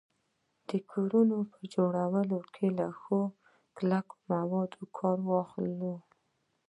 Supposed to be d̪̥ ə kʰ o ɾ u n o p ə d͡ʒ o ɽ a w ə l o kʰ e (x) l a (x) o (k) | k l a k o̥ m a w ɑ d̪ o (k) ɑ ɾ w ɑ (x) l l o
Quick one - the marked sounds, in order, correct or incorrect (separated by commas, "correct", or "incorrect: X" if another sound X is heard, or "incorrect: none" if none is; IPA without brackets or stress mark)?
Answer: incorrect: none, correct, incorrect: none, incorrect: kʰ, correct